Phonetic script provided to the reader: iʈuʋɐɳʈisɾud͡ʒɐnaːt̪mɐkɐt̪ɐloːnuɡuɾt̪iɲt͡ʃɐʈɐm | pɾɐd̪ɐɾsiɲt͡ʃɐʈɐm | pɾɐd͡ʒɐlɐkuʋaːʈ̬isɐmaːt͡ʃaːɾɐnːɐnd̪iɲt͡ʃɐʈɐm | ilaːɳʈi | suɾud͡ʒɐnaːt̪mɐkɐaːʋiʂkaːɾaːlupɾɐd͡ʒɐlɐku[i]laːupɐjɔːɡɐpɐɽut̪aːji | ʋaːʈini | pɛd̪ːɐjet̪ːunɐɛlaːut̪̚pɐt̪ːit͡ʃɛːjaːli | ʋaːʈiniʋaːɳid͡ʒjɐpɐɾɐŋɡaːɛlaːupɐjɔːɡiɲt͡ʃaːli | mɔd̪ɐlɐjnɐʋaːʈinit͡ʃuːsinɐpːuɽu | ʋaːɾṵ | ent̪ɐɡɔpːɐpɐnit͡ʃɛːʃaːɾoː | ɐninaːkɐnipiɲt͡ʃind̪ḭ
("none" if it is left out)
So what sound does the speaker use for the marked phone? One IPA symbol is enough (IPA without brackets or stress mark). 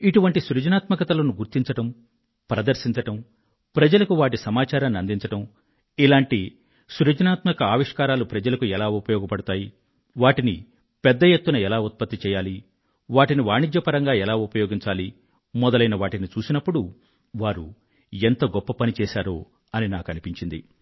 ɛ